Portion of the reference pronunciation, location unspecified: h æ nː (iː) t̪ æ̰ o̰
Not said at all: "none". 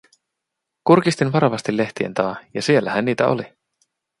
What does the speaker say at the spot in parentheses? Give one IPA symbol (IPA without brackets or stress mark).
iː